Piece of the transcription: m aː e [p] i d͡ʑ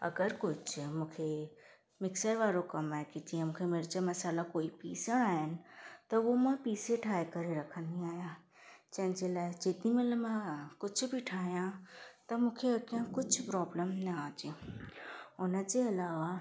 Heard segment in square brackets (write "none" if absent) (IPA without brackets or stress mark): k